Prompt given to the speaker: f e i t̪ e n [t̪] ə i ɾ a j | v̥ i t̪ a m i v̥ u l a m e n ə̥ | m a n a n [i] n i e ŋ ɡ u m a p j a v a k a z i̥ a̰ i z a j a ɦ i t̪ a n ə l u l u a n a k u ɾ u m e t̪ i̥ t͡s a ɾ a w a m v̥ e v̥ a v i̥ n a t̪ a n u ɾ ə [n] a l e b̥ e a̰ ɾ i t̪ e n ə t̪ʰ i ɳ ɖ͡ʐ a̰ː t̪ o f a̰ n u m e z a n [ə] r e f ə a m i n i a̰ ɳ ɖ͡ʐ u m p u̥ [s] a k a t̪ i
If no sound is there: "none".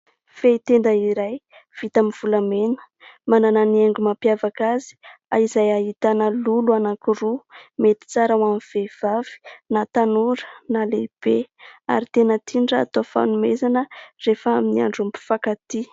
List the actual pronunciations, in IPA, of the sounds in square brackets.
d̪, a, n, ə, f

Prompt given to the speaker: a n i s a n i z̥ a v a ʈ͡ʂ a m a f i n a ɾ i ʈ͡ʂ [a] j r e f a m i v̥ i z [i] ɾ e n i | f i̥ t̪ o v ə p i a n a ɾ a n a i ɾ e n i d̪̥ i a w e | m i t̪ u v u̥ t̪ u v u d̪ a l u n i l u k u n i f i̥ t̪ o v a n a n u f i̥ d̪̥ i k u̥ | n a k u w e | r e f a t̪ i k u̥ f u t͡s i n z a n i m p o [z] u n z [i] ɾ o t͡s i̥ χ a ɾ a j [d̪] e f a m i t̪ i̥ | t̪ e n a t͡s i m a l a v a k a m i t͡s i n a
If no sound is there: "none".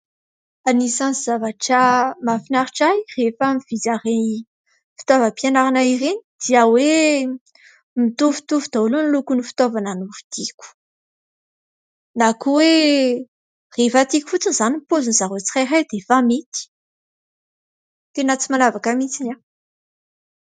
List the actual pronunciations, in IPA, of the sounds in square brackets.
a, a, z, a, d̪

